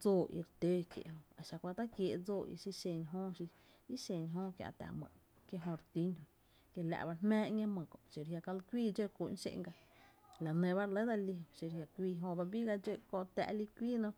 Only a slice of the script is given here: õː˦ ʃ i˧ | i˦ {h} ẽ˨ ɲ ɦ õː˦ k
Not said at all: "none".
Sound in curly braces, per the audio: ʃ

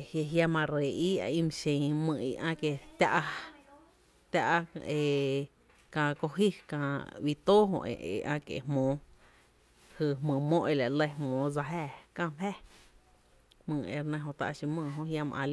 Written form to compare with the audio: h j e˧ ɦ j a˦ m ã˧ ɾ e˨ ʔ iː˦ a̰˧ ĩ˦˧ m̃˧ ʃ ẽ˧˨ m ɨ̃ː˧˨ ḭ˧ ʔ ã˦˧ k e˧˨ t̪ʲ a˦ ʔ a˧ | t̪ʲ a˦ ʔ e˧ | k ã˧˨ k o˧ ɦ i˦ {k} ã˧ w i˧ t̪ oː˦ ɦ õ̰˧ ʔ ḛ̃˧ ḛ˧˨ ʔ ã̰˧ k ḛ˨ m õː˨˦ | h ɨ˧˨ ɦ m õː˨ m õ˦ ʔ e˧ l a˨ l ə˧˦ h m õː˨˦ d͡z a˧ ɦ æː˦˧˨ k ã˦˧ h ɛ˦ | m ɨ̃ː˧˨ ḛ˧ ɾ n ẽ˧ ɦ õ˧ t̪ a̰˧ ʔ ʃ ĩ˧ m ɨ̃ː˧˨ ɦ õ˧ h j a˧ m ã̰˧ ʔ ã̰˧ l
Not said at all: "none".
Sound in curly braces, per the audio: k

